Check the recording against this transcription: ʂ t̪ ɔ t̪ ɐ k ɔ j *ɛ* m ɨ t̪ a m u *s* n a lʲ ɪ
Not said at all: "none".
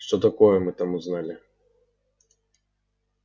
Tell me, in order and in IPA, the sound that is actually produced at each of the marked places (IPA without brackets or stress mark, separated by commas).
ɛ, z